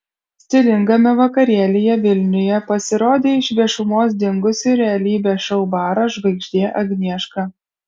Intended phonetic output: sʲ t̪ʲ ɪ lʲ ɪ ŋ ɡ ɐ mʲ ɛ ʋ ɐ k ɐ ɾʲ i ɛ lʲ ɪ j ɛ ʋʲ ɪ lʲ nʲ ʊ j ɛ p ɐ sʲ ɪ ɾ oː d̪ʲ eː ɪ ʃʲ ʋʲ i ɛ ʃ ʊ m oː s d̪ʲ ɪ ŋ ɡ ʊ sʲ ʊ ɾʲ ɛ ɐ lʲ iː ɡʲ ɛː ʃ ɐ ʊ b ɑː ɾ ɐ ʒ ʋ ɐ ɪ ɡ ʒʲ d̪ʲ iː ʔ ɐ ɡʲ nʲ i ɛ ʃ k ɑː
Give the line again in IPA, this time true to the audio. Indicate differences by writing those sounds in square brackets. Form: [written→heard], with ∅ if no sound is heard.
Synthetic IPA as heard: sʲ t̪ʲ ɪ lʲ ɪ ŋ ɡ ɐ mʲ ɛ ʋ ɐ k ɐ ɾʲ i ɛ lʲ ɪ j ɛ ʋʲ ɪ lʲ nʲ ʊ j ɛ p ɐ sʲ ɪ ɾ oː d̪ʲ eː ɪ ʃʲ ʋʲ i ɛ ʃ ʊ m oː s d̪ʲ ɪ ŋ ɡ ʊ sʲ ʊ ɾʲ ɛ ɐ lʲ iː [ɡʲ→bʲ] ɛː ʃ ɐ ʊ b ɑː ɾ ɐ ʒ ʋ ɐ ɪ ɡ ʒʲ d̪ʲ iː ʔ ɐ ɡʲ nʲ i ɛ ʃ k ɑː